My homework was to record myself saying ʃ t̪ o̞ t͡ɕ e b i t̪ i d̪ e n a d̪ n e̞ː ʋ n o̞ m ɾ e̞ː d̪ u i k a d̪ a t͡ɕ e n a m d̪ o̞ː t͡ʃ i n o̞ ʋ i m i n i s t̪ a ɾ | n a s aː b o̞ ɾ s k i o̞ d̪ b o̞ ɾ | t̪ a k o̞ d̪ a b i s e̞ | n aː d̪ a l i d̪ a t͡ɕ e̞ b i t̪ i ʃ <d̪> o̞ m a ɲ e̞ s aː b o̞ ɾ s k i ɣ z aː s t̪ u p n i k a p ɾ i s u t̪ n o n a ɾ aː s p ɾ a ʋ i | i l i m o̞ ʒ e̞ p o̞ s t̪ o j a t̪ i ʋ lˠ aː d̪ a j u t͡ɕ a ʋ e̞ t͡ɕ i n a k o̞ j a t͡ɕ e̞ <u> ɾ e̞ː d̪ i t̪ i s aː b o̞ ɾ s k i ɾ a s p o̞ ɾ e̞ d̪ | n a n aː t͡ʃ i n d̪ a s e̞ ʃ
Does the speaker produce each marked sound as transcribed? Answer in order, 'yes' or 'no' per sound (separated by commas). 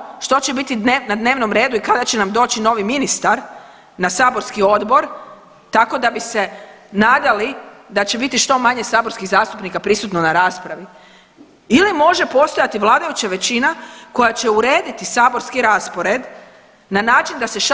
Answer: no, yes